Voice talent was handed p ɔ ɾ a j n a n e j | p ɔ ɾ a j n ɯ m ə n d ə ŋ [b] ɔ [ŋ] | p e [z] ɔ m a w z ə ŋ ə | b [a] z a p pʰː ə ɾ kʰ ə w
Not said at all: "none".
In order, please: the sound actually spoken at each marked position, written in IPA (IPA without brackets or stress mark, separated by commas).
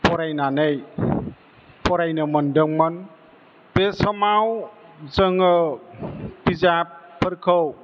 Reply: m, n, s, i